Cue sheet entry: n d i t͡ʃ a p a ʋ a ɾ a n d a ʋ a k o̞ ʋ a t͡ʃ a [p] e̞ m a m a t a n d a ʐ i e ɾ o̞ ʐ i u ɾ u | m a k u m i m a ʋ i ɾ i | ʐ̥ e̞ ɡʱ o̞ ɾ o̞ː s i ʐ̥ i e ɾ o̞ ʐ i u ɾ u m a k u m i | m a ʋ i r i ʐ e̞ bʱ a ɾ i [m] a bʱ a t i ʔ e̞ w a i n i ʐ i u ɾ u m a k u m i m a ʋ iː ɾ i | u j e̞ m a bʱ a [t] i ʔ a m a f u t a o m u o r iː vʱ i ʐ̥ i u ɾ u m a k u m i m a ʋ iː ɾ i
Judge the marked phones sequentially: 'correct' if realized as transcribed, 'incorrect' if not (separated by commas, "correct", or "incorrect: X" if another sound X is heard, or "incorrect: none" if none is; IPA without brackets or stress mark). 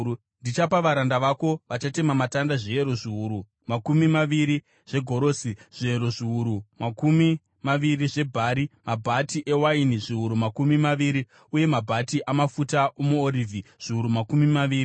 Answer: incorrect: t, correct, correct